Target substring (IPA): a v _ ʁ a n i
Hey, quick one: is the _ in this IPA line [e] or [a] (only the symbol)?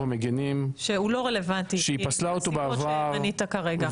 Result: a